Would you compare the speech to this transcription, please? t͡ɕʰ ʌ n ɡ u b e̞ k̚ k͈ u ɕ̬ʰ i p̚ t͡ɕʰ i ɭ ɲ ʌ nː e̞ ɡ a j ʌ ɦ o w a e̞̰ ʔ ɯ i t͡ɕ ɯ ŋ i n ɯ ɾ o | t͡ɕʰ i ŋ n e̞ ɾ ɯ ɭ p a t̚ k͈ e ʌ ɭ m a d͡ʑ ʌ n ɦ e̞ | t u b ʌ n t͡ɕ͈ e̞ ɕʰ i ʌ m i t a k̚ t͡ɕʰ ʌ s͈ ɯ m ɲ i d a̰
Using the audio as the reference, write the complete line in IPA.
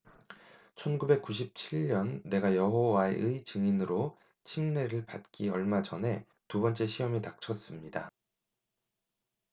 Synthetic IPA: t͡ɕʰ ʌ n ɡ u b e̞ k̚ k͈ u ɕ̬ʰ i p̚ t͡ɕʰ i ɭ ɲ ʌ nː e̞ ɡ a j ʌ ɦ o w a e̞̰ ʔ ɯ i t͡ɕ ɯ ŋ i n ɯ ɾ o | t͡ɕʰ i ŋ n e̞ ɾ ɯ ɭ p a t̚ k͈ i ʌ ɭ m a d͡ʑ ʌ n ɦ e̞ | t u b ʌ n t͡ɕ͈ e̞ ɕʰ i ʌ m i t a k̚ t͡ɕʰ ʌ s͈ ɯ m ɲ i d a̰